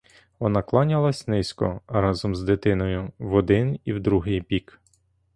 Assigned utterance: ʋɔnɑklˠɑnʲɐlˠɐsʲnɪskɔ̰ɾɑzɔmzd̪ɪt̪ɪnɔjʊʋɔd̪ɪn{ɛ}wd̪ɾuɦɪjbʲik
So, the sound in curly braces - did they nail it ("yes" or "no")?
no